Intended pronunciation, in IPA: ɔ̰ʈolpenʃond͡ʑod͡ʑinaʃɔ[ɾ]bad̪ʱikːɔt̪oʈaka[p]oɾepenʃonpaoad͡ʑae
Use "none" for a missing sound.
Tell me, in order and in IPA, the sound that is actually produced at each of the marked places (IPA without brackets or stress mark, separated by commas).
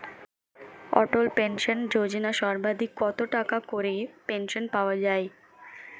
ɾ, k